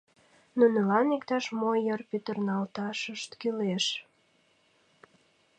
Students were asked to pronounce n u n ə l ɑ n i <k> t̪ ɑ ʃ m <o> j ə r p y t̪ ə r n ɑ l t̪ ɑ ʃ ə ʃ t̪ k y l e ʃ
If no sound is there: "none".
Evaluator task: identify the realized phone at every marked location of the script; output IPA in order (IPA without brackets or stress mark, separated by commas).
k, o